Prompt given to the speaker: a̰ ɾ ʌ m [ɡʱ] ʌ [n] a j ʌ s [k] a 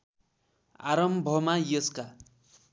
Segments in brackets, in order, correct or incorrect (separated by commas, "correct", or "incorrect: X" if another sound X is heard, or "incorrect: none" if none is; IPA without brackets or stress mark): incorrect: bʱ, incorrect: m, correct